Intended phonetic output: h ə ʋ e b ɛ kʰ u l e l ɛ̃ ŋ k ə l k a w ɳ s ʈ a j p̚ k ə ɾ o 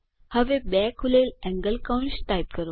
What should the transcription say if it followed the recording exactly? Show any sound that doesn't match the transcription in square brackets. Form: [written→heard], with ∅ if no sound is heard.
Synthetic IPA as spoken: h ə ʋ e b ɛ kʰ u l e l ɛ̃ ŋ [k→ɡ] ə l k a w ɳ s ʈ a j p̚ k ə ɾ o